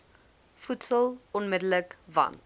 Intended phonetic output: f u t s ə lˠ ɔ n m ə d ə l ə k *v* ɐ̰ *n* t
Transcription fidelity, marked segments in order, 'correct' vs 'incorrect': correct, correct

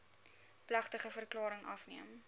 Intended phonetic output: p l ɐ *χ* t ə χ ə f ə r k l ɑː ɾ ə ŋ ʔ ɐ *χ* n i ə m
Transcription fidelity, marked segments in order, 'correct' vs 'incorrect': correct, incorrect

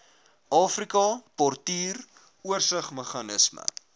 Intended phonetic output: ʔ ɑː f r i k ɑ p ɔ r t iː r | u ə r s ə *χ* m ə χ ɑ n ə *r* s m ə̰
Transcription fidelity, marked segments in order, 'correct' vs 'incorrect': correct, incorrect

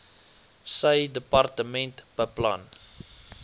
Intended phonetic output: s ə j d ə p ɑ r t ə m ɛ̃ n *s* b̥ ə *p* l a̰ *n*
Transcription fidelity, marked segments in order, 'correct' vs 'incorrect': incorrect, correct, correct

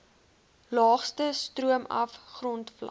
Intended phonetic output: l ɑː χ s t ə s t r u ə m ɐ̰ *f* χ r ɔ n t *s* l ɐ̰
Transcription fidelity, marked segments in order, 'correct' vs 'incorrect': correct, incorrect

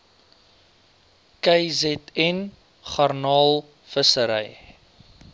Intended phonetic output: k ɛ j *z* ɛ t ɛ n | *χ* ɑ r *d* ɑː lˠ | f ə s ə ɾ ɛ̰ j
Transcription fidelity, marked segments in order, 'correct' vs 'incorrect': correct, correct, incorrect

